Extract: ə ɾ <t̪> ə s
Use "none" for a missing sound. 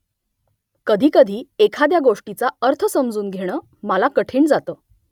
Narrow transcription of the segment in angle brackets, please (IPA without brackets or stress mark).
t̪ʰ